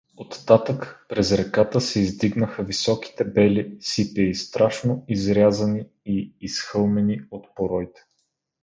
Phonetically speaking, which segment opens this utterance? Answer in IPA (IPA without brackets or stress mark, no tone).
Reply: o